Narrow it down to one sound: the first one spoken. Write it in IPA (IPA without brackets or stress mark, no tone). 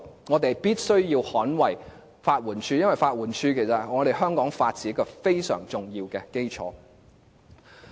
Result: ŋ